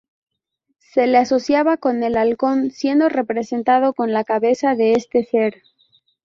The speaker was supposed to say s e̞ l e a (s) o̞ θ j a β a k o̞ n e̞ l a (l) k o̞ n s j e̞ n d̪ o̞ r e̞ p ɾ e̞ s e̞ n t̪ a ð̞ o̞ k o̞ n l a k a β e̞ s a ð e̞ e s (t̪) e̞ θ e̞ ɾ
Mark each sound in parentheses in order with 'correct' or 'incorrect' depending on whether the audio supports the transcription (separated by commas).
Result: correct, correct, correct